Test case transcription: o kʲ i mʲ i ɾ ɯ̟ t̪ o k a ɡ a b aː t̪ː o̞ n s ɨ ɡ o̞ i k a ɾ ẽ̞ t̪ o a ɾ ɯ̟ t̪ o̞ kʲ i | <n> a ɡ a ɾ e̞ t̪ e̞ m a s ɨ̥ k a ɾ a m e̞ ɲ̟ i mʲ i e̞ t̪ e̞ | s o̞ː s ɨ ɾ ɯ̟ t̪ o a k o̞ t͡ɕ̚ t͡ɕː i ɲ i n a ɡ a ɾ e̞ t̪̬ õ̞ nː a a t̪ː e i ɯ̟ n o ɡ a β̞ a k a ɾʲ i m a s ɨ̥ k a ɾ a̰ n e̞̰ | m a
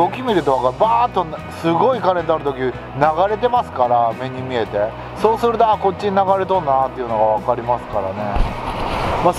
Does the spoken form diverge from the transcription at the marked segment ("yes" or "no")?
no